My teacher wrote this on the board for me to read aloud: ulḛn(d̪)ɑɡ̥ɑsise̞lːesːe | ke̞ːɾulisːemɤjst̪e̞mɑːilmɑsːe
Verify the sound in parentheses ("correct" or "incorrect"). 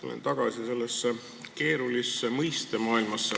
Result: incorrect